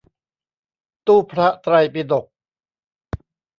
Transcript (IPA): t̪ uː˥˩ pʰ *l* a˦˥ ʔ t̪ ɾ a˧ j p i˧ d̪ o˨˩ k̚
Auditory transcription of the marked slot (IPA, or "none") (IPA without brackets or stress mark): ɾ